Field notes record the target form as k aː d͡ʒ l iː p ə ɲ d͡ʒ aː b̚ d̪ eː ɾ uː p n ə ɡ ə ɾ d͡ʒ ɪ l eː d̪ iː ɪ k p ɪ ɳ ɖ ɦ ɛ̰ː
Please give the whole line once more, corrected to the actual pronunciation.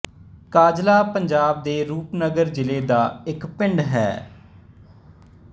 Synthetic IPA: k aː d͡ʒ l aː p ə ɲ d͡ʒ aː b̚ d̪ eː ɾ uː p n ə ɡ ə ɾ d͡ʒ ɪ l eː d̪ aː ɪ k p ɪ ɳ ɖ ɦ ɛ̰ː

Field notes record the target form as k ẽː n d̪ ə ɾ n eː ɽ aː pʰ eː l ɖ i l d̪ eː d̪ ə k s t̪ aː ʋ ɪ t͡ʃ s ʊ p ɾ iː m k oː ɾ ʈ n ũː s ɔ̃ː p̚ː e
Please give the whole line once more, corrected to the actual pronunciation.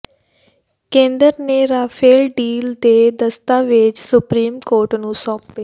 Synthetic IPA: k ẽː n d̪ ə ɾ n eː ɾ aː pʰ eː l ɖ iː l d̪ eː d̪ ə s t̪ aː ʋ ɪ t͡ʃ s ʊ p ɾ iː m k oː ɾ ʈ n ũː s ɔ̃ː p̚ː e

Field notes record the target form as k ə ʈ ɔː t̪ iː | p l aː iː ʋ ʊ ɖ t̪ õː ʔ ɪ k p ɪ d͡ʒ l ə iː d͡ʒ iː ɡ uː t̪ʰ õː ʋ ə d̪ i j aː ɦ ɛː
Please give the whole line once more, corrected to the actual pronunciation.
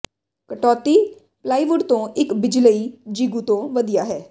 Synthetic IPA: k ə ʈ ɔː t̪ iː | p l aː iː ʋ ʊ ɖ t̪ õː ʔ ɪ k b ɪ d͡ʒ l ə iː d͡ʒ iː ɡ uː t̪ õː ʋ ə d̪ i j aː ɦ ɛː

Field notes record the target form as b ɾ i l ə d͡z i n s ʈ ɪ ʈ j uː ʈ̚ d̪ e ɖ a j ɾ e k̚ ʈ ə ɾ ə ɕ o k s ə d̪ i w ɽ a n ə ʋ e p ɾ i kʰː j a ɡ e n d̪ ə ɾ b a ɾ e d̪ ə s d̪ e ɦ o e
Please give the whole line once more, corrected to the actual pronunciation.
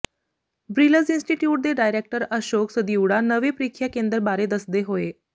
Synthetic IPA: b ɾ i l ə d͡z i n s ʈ i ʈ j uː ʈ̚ d̪ e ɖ a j ɾ e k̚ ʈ ə ɾ ə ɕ o k s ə d̪ i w ɽ a n ə ʋ e p ɾ i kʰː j a k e n d̪ ə ɾ b a ɾ e d̪ ə s d̪ e ɦ o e

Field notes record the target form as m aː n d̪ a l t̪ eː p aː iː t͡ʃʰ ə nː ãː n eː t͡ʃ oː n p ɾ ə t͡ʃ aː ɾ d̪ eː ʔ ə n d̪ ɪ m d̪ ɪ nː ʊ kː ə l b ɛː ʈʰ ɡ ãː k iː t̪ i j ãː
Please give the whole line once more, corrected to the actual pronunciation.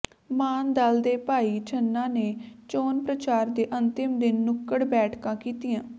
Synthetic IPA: m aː n d̪ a l d̪ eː p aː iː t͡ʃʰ ə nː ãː n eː t͡ʃ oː n p ɾ ə t͡ʃ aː ɾ d̪ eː ʔ ə n t̪ ɪ m d̪ ɪ nː ʊ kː ə ɽ b ɛː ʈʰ k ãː k iː t̪ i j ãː

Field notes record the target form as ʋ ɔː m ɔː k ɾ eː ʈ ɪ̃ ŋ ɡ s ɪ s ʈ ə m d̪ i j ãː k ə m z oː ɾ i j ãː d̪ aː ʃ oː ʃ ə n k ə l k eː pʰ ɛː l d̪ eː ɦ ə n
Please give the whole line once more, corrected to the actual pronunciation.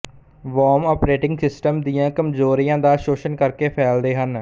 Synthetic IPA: ʋ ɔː m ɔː p ɾ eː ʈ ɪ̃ ŋ ɡ s ɪ s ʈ ə m d̪ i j ãː k ə m z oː ɾ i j ãː d̪ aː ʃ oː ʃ ə n k ə ɾ k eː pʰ ɛː l d̪ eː ɦ ə n

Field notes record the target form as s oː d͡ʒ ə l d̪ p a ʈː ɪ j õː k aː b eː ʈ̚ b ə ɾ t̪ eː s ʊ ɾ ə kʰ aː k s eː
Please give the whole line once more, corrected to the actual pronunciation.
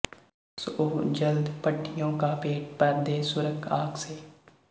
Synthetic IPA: s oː d͡ʒ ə l d̪ p ə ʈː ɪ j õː k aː p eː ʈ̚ p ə ɾ d̪ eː s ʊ ɾ ə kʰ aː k s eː

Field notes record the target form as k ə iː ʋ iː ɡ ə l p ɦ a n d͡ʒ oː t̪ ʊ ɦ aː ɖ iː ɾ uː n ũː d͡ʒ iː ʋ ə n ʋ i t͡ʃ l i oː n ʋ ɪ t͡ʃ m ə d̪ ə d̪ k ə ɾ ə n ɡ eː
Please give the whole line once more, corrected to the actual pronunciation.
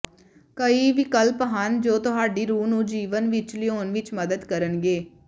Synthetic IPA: k ə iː ʋ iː k ə l p ɦ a n d͡ʒ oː t̪ ʊ ɦ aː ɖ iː ɾ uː n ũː d͡ʒ iː ʋ ə n ʋ ɪ t͡ʃ l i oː n ʋ ɪ t͡ʃ m ə d̪ ə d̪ k ə ɾ ə n ɡ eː

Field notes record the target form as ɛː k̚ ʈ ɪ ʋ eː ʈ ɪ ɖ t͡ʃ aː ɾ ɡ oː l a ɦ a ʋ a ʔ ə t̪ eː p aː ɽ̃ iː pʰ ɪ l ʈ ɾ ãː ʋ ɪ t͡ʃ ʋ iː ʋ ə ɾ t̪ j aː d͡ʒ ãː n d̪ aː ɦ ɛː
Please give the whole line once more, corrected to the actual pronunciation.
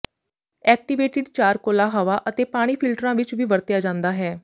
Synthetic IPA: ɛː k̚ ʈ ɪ ʋ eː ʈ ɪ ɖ t͡ʃ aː ɾ k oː l a ɦ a ʋ a ʔ ə t̪ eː p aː ɽ̃ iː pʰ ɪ l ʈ ɾ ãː ʋ ɪ t͡ʃ ʋ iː ʋ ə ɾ t̪ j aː d͡ʒ ãː n d̪ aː ɦ ɛː

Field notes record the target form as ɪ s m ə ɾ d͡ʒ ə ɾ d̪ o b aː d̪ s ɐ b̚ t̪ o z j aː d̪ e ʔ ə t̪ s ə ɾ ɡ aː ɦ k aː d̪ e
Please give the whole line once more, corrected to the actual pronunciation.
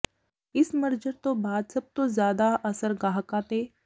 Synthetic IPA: ɪ s m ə ɾ d͡ʒ ə ɾ t̪ o b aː d̪ s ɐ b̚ t̪ o z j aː d̪ a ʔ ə s ə ɾ ɡ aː ɦ k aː t̪ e

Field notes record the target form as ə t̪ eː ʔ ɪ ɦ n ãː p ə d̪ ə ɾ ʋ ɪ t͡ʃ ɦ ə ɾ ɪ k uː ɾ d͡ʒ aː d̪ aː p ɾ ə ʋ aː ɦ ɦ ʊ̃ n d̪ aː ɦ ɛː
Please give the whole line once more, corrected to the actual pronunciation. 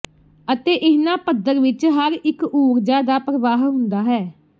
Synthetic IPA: ə t̪ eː ʔ ɪ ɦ n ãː p ə d̪ ə ɾ ʋ ɪ t͡ʃ ɦ ə ɾ ɪ k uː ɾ d͡ʒ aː d̪ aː p ɾ ə ʋ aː ɦ ɦ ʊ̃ n d̪ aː ɦ ɛː

